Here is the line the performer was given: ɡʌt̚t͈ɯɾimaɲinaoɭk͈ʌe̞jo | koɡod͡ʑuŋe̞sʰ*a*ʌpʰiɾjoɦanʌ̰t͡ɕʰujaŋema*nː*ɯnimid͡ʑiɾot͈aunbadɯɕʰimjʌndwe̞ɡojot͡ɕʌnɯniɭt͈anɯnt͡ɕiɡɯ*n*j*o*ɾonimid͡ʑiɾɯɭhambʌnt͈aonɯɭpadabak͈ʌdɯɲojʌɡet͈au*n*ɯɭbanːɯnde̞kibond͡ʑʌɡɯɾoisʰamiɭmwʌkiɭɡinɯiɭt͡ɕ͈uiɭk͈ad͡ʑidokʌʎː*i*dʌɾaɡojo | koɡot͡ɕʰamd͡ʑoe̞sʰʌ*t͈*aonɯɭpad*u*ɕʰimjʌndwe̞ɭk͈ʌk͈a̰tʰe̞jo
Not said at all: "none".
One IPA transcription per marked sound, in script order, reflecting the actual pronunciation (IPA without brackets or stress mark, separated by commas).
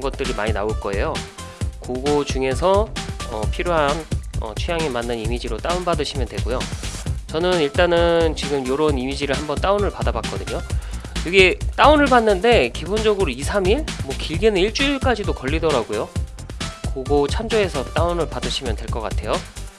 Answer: ʌ, nː, m, o, n, i, t͈, ɯ